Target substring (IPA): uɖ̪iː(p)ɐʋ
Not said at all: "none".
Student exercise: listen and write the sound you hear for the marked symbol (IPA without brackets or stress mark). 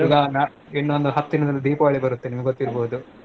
p